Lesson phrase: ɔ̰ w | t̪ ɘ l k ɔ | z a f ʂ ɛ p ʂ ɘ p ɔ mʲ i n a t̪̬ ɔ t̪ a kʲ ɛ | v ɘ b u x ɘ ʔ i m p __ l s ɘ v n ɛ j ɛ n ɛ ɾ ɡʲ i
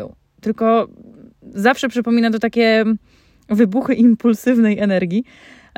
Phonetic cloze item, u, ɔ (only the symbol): u